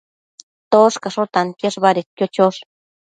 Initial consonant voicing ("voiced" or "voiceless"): voiceless